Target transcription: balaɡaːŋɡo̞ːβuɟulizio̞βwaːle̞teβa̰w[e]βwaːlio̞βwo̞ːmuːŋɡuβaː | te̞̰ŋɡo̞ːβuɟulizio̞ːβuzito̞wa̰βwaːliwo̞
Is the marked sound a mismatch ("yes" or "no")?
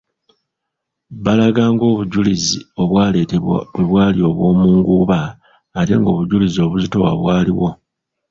no